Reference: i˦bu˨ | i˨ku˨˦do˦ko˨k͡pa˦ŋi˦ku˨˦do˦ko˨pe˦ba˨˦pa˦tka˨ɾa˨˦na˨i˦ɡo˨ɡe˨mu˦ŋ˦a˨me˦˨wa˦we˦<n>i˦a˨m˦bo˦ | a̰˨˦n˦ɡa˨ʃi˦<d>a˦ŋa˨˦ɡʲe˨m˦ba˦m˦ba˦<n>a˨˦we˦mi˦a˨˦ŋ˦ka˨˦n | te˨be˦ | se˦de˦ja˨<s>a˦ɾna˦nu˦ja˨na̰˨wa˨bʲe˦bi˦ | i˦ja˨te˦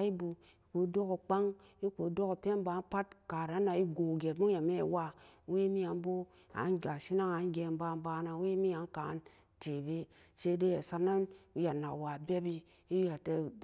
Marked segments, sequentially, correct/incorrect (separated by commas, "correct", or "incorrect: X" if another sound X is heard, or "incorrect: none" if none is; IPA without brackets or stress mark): incorrect: m, incorrect: n, correct, correct